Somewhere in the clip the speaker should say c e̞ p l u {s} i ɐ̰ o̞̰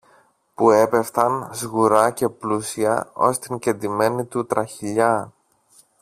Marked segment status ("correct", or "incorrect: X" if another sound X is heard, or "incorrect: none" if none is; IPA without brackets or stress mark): correct